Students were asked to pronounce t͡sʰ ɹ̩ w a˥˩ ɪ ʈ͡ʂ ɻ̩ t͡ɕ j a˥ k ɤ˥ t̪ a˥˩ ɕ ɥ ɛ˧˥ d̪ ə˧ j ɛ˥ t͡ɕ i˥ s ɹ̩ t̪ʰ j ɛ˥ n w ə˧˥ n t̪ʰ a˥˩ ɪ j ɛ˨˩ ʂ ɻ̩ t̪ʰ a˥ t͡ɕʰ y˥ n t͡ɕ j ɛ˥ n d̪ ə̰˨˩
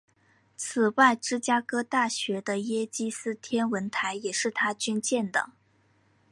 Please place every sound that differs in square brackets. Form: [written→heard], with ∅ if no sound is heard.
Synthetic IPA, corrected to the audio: t͡sʰ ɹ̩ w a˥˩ ɪ ʈ͡ʂ ɻ̩ t͡ɕ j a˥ k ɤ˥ t̪ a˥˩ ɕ ɥ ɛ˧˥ d̪ ə˧ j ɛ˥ t͡ɕ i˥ s ɹ̩ t̪ʰ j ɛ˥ n w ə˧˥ n t̪ʰ [a˥˩→a˧˥] ɪ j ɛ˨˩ ʂ ɻ̩ t̪ʰ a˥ [t͡ɕʰ→t͡ɕ] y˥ n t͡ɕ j [ɛ˥→ɛ˥˩] n d̪ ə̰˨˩